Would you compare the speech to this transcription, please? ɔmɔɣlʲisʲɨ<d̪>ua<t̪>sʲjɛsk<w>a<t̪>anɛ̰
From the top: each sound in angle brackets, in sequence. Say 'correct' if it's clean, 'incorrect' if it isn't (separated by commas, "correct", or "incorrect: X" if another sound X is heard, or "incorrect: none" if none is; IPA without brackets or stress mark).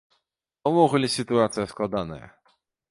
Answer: incorrect: t̪, correct, correct, incorrect: d̪